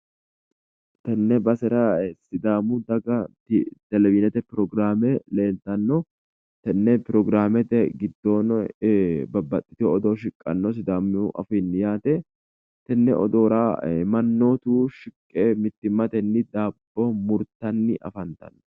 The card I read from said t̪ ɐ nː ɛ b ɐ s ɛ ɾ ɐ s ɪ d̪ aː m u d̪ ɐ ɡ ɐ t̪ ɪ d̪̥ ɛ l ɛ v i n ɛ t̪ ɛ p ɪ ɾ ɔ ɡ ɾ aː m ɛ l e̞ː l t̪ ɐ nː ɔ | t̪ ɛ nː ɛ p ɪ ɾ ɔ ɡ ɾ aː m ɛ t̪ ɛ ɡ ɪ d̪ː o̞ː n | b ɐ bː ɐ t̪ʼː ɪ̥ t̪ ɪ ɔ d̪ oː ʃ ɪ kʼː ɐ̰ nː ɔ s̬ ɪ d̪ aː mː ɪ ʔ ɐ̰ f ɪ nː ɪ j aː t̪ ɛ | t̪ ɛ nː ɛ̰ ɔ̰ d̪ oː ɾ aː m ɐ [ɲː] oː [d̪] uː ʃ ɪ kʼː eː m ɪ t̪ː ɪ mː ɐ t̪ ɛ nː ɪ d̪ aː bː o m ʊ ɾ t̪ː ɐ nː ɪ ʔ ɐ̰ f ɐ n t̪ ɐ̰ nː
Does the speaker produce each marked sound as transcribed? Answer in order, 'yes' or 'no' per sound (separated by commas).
no, no